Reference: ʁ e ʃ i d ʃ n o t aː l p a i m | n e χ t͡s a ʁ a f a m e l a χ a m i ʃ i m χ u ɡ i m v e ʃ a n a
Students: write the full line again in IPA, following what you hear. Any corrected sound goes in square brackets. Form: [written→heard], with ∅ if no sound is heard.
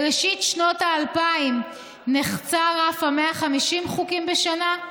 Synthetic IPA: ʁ e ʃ i [d→t] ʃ n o t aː l p a i m | n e χ t͡s a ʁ a f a m e [l→∅] a χ a m i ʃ i m χ u [ɡ→k] i m [v→b] e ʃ a n a